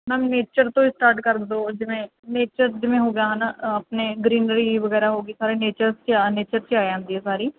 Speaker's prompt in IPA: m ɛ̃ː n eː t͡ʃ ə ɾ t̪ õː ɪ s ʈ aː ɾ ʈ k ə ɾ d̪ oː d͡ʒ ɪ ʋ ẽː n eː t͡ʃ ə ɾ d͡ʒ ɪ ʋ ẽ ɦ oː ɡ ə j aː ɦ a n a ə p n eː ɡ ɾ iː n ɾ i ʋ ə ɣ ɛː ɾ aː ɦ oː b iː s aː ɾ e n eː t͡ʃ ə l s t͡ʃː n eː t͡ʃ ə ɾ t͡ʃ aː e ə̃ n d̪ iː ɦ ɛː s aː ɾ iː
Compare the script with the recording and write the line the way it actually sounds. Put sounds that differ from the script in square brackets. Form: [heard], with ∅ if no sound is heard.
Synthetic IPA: m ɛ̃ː n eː t͡ʃ ə ɾ t̪ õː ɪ s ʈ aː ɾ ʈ k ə ɾ d̪ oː d͡ʒ ɪ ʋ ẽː n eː t͡ʃ ə ɾ d͡ʒ ɪ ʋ ẽ ɦ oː ɡ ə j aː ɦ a n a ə p n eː ɡ ɾ iː n ɾ i ʋ ə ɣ ɛː ɾ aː ɦ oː [ɡ] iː s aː ɾ e n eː t͡ʃ ə [ɾ] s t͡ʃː n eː t͡ʃ ə ɾ t͡ʃ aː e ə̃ n d̪ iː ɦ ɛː s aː ɾ iː